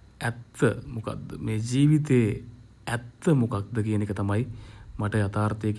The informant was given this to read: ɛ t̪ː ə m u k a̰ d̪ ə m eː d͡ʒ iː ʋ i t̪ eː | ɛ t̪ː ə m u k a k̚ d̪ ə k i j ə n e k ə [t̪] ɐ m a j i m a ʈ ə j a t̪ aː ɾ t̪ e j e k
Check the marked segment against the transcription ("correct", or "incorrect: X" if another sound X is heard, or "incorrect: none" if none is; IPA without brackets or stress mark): correct